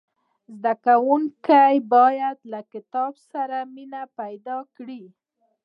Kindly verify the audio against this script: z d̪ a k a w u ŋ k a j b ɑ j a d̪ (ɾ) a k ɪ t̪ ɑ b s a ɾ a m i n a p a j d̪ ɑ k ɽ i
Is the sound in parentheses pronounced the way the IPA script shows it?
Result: no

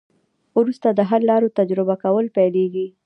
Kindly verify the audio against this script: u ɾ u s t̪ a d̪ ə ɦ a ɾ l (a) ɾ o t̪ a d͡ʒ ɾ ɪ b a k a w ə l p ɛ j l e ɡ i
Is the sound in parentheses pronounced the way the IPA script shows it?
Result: no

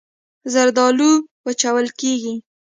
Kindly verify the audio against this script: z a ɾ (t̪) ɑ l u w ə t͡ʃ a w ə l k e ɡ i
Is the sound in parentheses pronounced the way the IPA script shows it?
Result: no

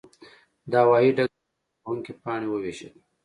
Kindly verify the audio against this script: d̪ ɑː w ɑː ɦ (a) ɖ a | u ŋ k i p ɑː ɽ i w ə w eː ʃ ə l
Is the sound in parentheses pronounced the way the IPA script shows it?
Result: no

